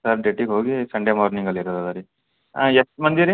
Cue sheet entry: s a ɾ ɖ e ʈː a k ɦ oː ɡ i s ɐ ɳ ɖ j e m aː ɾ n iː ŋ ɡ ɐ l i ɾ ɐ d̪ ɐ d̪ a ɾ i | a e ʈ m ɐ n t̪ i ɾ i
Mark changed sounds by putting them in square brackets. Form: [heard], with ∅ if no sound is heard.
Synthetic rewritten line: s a ɾ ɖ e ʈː [i] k ɦ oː ɡ i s ɐ ɳ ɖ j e m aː ɾ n [i] ŋ ɡ ɐ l i ɾ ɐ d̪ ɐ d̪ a ɾ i | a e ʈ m ɐ n [d̪] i ɾ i